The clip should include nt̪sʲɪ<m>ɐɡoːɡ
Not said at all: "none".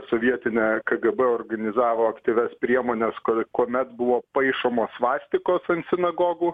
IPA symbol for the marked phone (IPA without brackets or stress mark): n